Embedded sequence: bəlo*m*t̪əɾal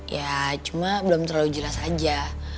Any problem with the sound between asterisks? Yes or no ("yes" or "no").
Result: no